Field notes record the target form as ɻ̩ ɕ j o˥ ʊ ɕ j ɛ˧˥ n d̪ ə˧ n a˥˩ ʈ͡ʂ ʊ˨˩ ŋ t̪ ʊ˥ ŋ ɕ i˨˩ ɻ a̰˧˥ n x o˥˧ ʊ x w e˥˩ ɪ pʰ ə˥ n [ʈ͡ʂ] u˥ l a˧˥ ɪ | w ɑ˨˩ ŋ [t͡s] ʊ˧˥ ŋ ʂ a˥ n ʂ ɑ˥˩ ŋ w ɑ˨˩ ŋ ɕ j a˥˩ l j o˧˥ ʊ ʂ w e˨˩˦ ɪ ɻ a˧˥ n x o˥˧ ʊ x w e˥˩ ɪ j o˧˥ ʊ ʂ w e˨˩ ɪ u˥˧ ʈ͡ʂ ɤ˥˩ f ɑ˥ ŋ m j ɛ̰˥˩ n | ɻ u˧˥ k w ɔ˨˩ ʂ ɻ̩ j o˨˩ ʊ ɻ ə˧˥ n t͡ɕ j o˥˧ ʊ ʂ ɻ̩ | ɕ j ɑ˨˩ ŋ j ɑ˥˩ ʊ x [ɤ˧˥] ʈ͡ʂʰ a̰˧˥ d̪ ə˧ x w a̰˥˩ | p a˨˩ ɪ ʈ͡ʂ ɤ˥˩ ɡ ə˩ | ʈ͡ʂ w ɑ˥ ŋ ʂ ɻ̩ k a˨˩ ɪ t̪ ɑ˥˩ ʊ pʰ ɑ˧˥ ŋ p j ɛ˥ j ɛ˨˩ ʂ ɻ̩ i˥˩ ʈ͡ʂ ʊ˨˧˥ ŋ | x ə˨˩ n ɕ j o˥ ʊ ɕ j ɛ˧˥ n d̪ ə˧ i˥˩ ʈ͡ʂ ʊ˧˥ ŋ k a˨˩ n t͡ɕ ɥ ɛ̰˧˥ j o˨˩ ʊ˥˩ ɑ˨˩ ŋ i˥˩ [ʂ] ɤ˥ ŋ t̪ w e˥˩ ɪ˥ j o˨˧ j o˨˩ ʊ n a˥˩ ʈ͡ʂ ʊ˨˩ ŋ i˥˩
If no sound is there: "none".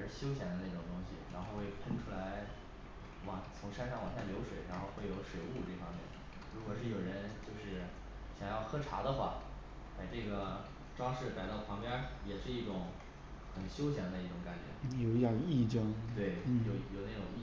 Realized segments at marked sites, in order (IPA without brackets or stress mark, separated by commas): ʈ͡ʂʰ, t͡sʰ, ɤ˥, ʈ͡ʂ